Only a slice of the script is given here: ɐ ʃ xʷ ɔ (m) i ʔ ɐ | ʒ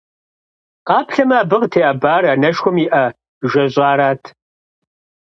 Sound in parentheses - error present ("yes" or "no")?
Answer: no